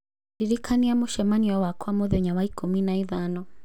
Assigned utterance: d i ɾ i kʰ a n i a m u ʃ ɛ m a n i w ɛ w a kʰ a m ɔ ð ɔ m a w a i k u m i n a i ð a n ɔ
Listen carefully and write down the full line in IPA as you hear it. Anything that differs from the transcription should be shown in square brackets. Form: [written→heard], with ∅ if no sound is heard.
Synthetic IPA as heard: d i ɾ i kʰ a n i a m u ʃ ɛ m a n i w [ɛ→a] w a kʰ a m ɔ ð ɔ [m→ɲ] a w a i k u m i n a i ð a n ɔ